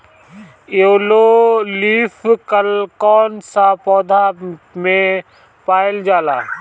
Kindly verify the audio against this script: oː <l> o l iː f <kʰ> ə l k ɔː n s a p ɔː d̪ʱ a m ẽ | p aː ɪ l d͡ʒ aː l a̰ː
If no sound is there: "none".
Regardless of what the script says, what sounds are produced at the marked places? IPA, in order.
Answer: l, k

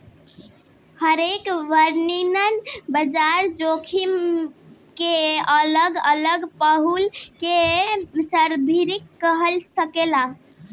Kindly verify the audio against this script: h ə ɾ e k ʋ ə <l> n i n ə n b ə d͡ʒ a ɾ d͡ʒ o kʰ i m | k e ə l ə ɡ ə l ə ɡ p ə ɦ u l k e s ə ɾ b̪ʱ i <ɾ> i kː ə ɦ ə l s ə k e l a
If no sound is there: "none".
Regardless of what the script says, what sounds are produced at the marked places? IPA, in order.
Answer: ɾ, ɾ

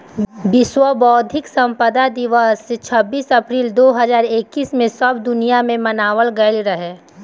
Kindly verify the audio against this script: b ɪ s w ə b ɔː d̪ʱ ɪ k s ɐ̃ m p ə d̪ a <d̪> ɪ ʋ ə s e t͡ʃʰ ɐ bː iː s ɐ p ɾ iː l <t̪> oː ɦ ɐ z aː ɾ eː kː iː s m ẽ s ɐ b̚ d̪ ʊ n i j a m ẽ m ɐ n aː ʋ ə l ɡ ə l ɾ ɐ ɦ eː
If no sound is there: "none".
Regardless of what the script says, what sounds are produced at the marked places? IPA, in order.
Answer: d̪, d̪

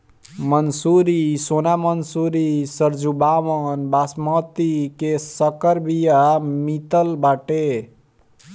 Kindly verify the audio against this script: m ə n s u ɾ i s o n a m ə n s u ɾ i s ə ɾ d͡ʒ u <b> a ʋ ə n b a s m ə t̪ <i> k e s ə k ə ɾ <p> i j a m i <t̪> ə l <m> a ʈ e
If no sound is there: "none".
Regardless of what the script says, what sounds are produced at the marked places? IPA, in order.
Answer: b, i, b, t̪, b

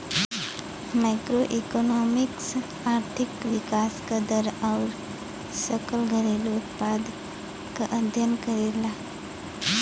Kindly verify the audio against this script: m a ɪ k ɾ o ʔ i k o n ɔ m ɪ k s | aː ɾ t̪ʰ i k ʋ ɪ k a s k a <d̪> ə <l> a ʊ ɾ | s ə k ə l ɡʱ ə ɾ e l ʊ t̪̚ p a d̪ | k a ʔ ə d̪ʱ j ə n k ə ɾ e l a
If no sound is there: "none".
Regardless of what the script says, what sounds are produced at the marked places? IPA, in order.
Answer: d̪, ɾ

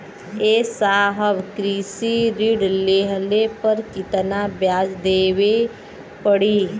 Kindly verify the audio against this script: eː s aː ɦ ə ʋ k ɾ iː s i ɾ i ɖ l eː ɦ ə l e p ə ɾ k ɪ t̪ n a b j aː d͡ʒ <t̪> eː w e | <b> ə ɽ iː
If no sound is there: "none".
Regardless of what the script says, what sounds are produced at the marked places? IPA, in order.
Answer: d̪, p

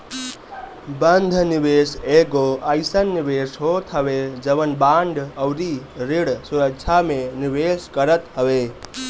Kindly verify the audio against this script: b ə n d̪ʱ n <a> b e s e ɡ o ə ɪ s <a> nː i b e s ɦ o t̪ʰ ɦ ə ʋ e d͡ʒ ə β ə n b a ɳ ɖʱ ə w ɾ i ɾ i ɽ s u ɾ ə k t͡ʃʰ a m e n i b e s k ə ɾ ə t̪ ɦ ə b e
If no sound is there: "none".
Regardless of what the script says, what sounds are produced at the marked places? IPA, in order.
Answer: i, ə

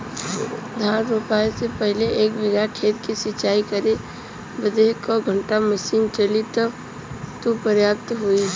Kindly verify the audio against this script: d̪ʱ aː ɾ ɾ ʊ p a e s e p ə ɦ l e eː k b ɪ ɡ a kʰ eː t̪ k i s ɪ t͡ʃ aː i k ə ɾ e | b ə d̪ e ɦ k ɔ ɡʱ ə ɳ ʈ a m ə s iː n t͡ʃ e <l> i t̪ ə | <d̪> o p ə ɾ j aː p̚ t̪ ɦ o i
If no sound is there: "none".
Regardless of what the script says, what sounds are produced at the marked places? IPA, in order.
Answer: l, t̪

